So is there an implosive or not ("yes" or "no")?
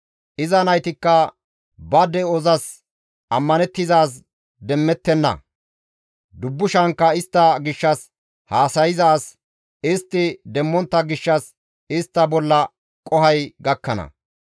no